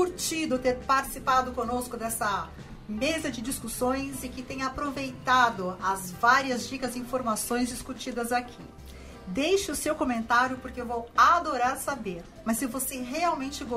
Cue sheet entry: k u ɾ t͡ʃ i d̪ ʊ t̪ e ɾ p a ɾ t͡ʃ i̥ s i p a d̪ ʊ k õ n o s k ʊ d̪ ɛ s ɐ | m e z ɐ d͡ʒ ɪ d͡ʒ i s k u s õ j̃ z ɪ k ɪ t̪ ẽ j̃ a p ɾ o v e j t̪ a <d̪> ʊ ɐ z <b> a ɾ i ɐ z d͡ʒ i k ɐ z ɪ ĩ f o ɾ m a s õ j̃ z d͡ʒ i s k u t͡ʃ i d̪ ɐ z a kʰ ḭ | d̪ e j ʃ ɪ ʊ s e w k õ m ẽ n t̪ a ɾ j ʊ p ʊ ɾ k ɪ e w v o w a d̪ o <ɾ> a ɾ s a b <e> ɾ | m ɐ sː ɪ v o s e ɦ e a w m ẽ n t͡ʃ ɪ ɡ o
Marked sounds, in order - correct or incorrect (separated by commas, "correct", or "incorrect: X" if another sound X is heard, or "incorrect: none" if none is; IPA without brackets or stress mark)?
correct, incorrect: v, correct, correct